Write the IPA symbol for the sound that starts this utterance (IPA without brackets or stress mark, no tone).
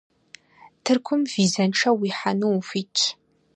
tʰ